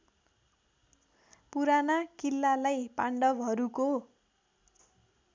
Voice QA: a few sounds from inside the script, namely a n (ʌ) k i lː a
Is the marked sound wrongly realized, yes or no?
yes